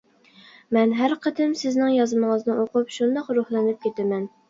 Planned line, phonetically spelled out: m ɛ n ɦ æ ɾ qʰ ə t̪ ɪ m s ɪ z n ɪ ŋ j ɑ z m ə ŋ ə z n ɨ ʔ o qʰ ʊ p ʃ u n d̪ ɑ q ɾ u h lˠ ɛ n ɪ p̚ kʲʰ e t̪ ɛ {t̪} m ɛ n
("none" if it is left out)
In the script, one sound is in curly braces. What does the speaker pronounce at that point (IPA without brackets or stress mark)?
none